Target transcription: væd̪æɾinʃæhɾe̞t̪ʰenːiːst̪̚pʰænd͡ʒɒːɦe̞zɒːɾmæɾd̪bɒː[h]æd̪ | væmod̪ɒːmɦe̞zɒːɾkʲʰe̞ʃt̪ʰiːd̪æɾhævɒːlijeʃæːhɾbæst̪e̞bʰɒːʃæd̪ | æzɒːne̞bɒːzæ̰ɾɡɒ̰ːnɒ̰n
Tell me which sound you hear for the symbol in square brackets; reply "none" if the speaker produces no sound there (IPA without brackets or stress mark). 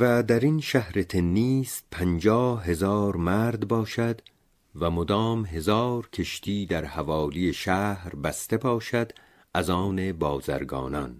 ʃ